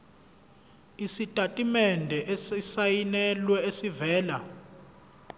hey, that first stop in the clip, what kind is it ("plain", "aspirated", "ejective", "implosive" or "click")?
ejective